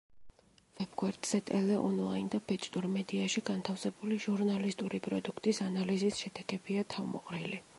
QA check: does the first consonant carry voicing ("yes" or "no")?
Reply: yes